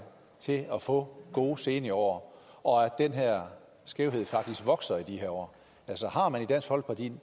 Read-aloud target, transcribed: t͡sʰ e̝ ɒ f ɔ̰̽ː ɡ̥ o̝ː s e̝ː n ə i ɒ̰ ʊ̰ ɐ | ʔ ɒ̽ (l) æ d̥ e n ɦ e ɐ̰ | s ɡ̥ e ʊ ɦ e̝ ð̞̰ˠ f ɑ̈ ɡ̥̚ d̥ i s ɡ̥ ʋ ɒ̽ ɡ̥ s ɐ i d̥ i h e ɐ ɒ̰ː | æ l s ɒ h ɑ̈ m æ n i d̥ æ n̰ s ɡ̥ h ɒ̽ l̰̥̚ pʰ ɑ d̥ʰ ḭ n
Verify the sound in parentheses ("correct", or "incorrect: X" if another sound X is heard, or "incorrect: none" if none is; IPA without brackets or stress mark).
incorrect: none